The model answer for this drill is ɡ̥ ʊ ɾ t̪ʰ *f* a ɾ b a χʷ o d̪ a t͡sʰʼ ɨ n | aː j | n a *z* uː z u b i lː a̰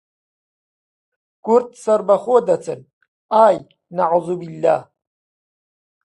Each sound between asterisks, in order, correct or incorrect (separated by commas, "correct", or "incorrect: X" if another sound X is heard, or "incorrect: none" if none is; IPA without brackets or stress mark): incorrect: s, incorrect: ʕ